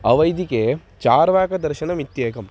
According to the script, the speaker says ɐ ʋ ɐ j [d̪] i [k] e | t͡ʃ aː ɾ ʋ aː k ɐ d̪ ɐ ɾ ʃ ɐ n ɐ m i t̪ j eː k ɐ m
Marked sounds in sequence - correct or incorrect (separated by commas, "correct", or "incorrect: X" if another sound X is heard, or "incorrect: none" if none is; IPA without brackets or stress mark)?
correct, correct